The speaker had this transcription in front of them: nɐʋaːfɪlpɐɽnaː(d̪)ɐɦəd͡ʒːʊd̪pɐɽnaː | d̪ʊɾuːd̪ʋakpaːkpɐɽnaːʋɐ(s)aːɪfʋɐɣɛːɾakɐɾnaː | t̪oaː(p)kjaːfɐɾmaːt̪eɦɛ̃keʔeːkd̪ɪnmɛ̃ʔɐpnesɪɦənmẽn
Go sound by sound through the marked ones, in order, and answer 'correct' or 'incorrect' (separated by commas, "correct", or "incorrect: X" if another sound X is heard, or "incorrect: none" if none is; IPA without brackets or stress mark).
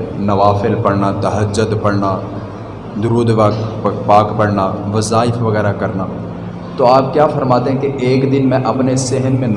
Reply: incorrect: t̪, incorrect: z, correct